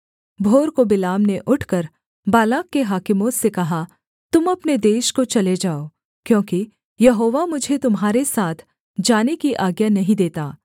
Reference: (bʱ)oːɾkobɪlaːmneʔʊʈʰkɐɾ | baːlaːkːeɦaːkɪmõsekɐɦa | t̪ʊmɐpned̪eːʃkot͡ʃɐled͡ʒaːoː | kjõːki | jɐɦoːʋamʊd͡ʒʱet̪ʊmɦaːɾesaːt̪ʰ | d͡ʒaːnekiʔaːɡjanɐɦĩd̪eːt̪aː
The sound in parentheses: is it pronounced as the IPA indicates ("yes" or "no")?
yes